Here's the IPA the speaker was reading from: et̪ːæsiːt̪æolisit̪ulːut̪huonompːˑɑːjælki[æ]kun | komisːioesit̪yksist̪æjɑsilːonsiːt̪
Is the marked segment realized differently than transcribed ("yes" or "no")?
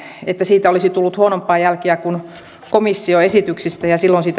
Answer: no